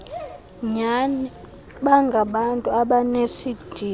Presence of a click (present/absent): absent